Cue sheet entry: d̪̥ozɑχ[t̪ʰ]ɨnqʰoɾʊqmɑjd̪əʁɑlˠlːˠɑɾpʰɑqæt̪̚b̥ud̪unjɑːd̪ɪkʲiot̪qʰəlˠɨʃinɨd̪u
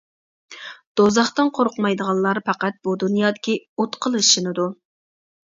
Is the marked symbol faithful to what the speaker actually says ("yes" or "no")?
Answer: no